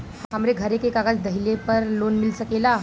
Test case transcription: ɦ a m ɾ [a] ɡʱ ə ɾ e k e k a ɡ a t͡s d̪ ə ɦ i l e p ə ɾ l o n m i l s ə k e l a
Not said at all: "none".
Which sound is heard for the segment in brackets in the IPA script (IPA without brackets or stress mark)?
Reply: e